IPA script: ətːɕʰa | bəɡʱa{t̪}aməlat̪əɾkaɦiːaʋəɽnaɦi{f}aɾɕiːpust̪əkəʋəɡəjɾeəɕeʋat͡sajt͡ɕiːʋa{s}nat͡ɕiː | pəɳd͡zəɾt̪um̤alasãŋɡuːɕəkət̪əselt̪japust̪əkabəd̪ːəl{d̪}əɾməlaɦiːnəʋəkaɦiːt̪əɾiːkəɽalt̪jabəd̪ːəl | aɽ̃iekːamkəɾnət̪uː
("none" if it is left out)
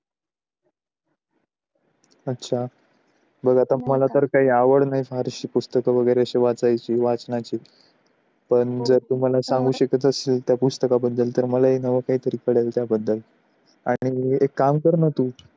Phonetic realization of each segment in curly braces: t̪, f, t͡s, t̪

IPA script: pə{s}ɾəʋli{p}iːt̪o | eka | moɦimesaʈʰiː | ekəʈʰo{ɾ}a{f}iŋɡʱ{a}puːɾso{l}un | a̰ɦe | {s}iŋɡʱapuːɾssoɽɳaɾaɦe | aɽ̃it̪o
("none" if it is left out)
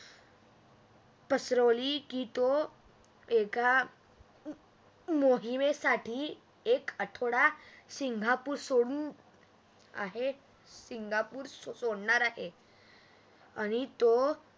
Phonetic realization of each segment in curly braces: s, k, ɽ, s, a, ɽ, s

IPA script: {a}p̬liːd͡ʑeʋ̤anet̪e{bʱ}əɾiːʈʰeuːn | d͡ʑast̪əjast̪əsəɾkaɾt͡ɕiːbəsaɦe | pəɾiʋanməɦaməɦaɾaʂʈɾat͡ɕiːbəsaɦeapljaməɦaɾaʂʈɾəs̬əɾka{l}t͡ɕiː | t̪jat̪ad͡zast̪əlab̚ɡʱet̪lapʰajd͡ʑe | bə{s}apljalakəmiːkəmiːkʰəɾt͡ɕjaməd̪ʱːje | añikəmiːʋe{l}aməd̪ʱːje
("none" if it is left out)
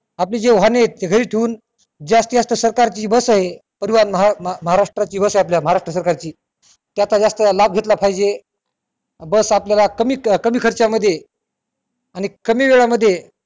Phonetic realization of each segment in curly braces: a, ɡʱ, ɾ, s, ɭ

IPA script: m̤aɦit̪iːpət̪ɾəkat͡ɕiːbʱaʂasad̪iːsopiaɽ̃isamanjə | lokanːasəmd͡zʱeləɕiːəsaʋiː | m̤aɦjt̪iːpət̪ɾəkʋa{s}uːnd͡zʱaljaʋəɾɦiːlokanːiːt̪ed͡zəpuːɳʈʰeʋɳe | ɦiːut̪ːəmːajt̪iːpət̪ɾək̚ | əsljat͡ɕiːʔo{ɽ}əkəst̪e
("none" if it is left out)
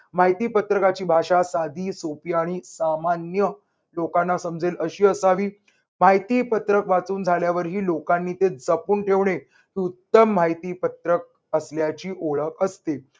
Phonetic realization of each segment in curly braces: t͡s, ɭ

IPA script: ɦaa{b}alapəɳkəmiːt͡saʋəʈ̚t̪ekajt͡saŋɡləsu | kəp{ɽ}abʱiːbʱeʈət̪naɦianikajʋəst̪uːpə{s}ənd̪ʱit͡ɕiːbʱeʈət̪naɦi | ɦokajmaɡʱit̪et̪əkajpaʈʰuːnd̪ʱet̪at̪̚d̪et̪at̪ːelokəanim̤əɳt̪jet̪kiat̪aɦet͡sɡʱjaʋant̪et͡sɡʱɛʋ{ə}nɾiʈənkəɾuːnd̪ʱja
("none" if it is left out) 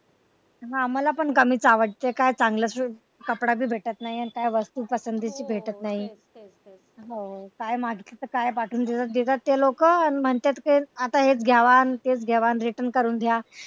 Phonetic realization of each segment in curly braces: m, ɽ, s, a

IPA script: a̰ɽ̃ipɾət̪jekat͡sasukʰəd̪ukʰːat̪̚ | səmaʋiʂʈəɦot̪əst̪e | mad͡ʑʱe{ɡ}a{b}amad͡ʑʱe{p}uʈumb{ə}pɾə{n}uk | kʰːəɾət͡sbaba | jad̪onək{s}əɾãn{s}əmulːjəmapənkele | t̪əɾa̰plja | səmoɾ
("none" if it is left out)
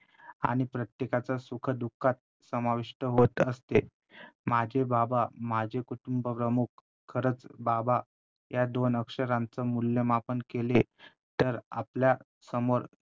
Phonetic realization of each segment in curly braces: b, b, k, ə, m, ʂ, t͡s

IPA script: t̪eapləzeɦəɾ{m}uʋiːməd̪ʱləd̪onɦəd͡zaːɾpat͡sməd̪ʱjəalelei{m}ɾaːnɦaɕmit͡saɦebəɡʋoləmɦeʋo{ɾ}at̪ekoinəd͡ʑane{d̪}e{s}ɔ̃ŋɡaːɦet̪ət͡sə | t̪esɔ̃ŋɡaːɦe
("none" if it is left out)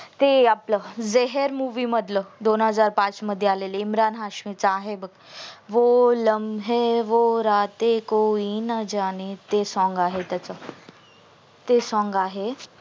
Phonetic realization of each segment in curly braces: m, m, ɾ, t̪, s

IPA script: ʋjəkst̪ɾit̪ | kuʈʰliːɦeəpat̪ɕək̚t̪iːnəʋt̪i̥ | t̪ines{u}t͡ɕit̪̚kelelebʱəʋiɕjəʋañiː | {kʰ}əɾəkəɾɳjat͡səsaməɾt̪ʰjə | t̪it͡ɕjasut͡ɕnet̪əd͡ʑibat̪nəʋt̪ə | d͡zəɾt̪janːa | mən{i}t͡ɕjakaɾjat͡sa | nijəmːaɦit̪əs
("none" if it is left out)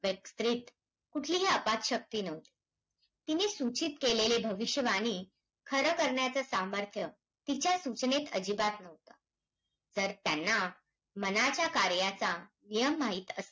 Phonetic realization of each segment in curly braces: u, kʰ, a

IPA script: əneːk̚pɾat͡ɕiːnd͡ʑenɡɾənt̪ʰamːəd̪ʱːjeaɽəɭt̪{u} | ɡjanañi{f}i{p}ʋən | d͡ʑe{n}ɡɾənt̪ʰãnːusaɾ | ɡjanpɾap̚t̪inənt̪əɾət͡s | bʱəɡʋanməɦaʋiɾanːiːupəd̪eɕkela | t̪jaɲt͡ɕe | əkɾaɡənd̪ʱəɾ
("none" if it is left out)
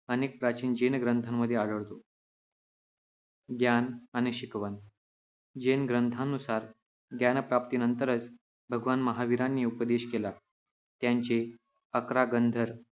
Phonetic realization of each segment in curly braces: o, ɕ, k, n

